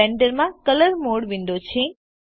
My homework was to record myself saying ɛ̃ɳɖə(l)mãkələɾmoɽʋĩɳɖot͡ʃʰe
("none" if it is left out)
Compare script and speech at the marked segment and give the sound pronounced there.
ɾ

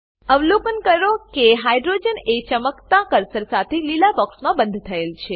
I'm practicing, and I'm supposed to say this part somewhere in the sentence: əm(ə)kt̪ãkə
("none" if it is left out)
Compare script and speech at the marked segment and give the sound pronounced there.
ə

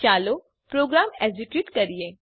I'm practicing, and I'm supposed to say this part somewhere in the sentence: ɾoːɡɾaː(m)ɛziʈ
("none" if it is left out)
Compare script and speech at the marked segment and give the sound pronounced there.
m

